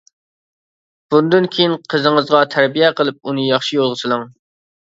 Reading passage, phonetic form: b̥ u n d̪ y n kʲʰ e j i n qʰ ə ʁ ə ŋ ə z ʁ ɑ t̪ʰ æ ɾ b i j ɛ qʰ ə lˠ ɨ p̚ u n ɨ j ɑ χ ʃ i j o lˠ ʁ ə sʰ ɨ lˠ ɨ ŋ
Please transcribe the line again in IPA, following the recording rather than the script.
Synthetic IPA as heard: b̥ u n d̪ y n kʲʰ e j i n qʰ ə z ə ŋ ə z ʁ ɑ t̪ʰ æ ɾ b i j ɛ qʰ ə lˠ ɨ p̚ u n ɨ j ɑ χ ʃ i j o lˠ ʁ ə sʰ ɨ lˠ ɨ ŋ